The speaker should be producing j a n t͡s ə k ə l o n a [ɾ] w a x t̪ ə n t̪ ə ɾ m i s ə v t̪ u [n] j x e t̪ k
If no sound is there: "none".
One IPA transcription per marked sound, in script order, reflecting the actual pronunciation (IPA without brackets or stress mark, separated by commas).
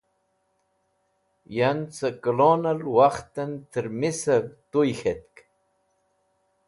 l, none